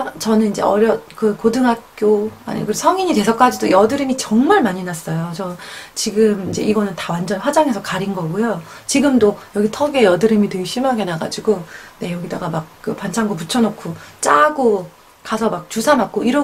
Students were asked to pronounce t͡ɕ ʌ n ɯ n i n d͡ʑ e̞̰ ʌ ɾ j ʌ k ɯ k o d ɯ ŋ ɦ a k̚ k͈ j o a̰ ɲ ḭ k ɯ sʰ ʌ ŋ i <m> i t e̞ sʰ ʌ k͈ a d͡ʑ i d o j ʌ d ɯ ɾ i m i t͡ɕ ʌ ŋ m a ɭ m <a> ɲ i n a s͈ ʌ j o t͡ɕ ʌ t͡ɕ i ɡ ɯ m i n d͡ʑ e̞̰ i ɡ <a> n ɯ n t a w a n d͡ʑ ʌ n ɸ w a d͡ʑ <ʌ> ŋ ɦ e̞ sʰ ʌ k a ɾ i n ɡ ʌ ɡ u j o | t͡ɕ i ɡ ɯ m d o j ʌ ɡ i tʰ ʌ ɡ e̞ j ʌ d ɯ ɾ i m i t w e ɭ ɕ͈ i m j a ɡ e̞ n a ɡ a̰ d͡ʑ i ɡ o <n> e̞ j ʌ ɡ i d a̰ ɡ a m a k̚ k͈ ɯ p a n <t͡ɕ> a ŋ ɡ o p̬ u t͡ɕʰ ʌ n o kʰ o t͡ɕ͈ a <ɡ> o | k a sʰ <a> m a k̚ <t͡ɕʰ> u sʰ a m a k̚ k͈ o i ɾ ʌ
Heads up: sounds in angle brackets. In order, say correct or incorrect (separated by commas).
incorrect, correct, incorrect, incorrect, correct, incorrect, correct, incorrect, incorrect